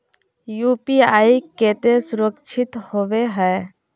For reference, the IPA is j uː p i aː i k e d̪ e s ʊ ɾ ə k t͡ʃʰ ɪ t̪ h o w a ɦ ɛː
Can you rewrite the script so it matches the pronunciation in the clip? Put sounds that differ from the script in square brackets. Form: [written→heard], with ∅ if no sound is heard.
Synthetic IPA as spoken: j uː p i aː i k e [d̪→t̪] e s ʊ ɾ ə k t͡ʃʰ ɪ t̪ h o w [a→e] ɦ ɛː